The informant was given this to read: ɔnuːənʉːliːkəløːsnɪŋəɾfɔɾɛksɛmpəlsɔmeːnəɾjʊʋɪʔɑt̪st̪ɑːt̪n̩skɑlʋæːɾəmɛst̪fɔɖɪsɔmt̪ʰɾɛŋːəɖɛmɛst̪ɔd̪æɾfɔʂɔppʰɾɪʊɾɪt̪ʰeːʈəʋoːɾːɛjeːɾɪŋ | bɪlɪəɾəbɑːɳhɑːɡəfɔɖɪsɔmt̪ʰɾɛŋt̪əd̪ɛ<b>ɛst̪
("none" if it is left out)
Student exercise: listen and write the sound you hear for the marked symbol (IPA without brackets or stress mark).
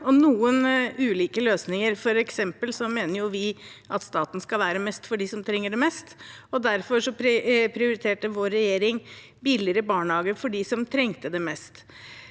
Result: m